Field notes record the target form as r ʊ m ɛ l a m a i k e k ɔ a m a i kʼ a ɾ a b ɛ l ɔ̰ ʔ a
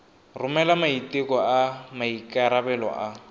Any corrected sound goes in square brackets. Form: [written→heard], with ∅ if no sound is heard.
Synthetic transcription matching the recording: r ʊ m ɛ l a m a i [k→t] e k ɔ a m a i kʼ a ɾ a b ɛ l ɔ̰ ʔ a